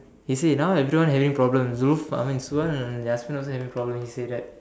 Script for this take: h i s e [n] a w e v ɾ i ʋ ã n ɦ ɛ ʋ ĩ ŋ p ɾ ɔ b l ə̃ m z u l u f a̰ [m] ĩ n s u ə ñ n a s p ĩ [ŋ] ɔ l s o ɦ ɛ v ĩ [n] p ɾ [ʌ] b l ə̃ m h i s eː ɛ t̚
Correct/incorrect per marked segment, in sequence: correct, correct, incorrect, incorrect, incorrect

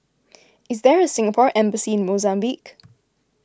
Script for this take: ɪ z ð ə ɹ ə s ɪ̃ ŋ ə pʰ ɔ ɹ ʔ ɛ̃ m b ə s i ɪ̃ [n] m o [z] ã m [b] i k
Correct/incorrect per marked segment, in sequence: correct, correct, correct

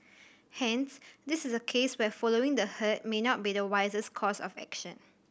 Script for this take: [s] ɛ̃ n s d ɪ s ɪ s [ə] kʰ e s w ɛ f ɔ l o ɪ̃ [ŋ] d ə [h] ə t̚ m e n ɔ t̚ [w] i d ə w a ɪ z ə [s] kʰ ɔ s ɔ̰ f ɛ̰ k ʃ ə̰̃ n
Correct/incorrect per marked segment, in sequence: incorrect, correct, correct, correct, incorrect, correct

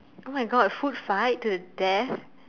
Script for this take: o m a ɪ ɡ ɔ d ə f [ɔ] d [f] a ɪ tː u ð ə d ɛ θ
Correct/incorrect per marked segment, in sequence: incorrect, correct

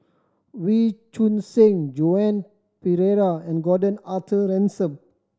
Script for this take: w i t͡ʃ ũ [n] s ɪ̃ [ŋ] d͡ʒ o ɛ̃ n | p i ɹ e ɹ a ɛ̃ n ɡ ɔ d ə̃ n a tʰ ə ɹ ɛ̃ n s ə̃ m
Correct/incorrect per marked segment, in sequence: correct, correct

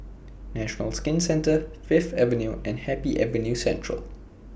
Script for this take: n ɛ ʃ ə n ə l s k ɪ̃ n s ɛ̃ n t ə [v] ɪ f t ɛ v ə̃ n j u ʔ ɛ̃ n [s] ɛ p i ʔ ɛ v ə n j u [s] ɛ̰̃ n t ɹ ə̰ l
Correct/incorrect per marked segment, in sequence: incorrect, incorrect, correct

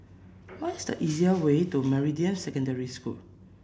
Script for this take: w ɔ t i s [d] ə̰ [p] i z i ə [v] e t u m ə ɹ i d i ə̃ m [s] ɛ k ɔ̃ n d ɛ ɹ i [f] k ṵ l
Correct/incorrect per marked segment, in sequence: correct, incorrect, incorrect, correct, incorrect

